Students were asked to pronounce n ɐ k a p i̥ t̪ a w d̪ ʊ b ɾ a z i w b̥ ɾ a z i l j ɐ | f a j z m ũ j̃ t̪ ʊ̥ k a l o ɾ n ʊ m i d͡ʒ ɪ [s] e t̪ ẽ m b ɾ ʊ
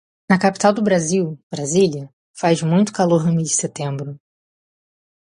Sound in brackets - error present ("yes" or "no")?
no